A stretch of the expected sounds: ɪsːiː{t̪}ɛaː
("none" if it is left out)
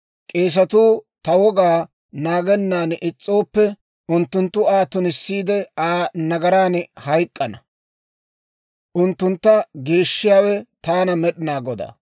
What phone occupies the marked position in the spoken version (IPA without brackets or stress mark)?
d̪